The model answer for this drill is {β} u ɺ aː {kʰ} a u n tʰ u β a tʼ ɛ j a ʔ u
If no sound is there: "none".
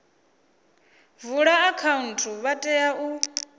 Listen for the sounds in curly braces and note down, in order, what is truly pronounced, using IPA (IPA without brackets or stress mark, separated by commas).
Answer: v, kʰ